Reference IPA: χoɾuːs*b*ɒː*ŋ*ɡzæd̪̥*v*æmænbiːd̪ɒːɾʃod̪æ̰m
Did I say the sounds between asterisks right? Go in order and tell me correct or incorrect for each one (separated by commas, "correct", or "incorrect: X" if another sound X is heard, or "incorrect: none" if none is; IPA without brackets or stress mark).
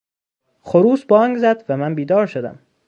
correct, correct, correct